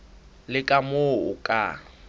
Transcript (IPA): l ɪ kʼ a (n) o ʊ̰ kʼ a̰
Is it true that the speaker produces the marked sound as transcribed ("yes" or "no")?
no